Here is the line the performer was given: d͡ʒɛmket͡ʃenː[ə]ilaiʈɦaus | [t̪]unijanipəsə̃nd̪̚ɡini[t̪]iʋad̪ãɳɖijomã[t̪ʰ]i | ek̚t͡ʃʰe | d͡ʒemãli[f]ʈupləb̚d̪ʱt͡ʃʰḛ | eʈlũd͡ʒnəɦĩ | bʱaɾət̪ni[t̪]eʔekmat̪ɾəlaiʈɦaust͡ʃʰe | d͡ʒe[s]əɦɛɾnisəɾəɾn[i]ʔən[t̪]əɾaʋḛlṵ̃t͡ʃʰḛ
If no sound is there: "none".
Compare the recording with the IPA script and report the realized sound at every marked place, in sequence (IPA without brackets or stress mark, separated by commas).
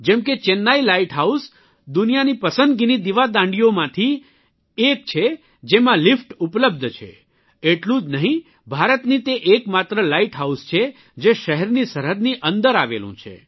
a, d̪, d̪, t̪ʰ, f, t̪, ʃ, i, d̪